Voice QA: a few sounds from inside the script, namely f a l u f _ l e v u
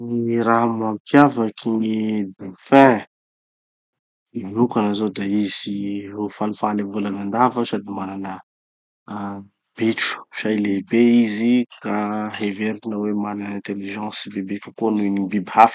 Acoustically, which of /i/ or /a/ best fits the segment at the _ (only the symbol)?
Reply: a